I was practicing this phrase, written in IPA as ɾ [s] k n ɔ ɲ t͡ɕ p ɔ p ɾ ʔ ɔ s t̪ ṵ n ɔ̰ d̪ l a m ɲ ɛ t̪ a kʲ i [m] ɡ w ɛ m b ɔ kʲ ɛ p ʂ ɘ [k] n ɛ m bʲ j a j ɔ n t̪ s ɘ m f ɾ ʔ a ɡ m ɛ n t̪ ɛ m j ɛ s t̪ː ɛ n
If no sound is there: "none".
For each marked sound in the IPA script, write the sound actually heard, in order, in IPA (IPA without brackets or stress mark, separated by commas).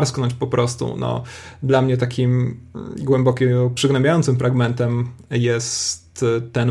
s, m, ɡ